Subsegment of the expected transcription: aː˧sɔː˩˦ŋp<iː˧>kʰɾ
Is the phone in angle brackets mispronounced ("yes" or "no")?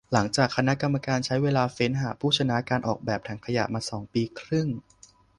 no